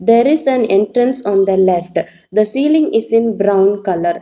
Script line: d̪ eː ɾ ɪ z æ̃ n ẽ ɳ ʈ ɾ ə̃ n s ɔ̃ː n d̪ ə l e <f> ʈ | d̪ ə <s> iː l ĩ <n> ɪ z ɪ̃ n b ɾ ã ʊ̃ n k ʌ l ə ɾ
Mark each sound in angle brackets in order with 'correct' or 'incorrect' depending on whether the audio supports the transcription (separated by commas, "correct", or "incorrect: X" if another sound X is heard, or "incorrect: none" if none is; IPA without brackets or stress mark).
correct, correct, incorrect: ŋ